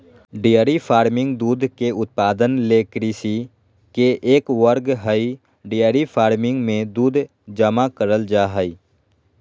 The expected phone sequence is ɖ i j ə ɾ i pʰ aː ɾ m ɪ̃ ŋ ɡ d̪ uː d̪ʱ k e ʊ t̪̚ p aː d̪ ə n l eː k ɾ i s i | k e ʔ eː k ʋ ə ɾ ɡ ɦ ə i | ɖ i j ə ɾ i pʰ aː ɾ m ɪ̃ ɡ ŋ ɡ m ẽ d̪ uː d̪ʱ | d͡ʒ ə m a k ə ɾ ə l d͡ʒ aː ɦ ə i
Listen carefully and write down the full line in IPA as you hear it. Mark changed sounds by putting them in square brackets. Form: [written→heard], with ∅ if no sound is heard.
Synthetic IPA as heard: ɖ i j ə ɾ i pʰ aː ɾ m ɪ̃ ŋ ɡ d̪ uː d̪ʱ k e ʊ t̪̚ p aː d̪ ə n l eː k ɾ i s i | k e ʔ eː k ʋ ə ɾ ɡ ɦ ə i | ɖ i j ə ɾ i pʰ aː ɾ m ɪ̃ [ɡ→∅] ŋ ɡ m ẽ d̪ uː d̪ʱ | d͡ʒ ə m a k ə ɾ ə l d͡ʒ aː ɦ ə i

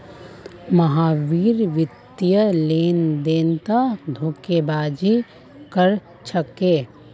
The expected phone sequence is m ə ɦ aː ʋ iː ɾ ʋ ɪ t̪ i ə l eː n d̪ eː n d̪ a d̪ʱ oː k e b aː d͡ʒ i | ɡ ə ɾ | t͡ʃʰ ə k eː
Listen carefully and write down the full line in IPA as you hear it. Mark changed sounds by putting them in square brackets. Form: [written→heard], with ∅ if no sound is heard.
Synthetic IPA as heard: m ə ɦ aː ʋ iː ɾ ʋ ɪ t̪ [i→j] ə l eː n d̪ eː n [d̪→t̪] a d̪ʱ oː k e b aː d͡ʒ i | [ɡ→k] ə ɾ | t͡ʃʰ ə k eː

